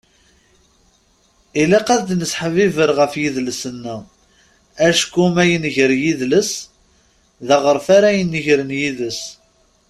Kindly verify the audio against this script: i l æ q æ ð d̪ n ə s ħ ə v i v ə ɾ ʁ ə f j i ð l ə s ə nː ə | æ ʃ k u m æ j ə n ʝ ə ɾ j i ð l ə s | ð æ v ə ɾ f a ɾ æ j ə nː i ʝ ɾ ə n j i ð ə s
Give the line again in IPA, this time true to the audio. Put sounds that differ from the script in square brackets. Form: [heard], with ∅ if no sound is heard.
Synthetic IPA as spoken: i l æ q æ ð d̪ n ə s ħ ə v i v ə ɾ ʁ ə f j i ð l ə s ə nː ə | æ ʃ k u m æ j ə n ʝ ə ɾ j i ð l ə s | ð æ [ʁ] ə ɾ f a ɾ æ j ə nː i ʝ ɾ ə n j i ð ə s